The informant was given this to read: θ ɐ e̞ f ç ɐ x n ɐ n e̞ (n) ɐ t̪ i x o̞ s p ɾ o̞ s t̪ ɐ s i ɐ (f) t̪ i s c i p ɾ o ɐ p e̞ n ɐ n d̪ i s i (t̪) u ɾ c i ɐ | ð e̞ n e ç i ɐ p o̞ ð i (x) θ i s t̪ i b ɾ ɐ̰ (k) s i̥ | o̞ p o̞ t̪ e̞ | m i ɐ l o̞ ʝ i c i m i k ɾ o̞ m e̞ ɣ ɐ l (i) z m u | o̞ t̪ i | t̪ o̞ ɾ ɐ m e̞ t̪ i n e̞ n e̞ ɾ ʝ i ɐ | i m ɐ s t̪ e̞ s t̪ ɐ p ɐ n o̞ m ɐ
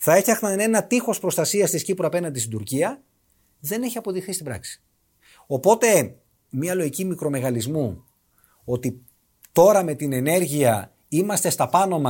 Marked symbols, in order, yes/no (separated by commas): yes, no, no, yes, yes, yes